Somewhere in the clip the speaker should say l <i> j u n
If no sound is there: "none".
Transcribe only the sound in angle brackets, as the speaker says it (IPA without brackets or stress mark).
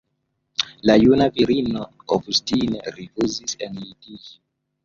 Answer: a